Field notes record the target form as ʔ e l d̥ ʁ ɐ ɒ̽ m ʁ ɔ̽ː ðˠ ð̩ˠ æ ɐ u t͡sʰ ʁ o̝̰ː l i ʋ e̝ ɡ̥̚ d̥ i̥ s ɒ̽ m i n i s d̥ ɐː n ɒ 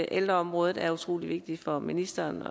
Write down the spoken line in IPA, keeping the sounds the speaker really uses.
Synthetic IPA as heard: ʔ e l d̥ ʁ ɐ ɒ̽ m ʁ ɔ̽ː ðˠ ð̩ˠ æ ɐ u t͡sʰ ʁ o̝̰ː l i ʋ e̝ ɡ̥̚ d̥ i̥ f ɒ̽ m i n i s d̥ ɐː n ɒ